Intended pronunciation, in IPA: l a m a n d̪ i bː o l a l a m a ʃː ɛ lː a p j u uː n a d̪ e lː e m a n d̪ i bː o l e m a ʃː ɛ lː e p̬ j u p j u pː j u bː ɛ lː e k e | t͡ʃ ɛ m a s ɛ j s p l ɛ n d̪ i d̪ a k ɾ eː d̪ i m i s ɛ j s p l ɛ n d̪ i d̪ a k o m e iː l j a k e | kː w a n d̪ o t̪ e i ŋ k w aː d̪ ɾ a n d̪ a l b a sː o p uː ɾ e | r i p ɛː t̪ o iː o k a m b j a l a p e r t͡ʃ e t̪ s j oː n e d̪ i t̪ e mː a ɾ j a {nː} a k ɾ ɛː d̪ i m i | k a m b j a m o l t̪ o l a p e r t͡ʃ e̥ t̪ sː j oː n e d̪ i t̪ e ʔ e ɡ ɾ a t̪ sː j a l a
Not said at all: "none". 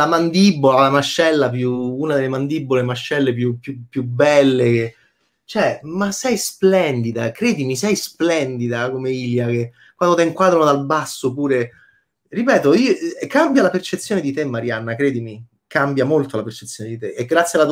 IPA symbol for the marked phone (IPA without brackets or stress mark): nː